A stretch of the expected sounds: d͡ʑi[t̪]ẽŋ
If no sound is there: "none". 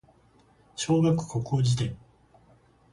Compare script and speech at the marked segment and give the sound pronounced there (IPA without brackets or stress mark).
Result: t̪